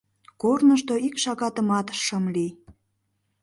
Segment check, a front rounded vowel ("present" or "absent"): absent